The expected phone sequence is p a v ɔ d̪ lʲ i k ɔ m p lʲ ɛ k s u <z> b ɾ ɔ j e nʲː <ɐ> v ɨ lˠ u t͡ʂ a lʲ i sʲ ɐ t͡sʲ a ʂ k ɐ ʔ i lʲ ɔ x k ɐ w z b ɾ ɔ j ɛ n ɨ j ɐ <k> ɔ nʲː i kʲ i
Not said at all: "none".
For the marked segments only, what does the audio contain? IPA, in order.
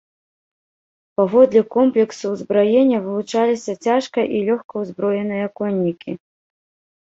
z, ɐ, k

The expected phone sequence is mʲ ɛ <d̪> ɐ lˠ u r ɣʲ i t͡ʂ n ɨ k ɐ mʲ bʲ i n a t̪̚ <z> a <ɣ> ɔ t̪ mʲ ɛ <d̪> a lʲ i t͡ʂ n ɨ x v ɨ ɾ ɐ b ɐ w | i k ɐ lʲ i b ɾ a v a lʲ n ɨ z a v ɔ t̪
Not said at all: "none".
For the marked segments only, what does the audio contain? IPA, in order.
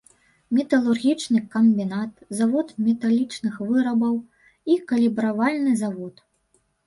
t̪, z, v, t̪

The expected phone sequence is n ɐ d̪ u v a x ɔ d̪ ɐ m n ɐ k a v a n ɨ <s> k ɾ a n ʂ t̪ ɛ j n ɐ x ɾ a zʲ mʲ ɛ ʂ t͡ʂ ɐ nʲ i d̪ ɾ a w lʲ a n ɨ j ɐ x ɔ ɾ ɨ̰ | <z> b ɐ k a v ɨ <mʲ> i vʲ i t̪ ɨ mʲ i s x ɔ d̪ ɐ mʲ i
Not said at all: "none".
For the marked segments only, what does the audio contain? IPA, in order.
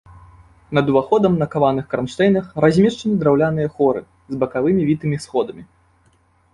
x, z, mʲ

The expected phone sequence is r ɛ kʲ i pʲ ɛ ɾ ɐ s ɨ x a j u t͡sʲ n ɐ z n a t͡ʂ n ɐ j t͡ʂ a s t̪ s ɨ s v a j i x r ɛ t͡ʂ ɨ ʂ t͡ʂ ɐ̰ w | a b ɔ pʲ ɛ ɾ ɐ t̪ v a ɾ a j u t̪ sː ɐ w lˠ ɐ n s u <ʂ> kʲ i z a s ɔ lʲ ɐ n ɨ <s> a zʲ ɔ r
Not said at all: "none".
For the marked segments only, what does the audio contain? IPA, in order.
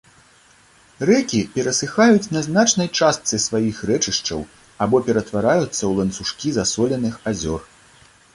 ʂ, x

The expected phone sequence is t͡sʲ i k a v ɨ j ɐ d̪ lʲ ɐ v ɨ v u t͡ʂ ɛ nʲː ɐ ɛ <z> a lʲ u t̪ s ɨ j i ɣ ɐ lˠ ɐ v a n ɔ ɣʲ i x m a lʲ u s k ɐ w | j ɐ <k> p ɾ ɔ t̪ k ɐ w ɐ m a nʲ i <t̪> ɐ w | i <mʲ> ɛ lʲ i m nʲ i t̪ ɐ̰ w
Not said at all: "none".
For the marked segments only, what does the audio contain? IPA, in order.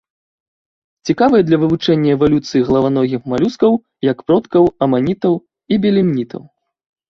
v, k, t̪, bʲ

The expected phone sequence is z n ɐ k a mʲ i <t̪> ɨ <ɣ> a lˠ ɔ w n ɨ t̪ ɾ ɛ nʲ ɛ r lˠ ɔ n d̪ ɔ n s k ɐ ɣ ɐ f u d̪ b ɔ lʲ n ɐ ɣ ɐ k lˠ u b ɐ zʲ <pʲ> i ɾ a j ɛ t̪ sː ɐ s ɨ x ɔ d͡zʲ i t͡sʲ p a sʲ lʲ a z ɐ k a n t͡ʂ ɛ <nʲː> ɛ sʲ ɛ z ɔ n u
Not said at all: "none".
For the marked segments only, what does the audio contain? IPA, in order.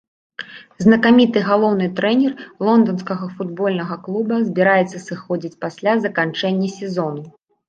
t̪, ɣ, bʲ, nʲː

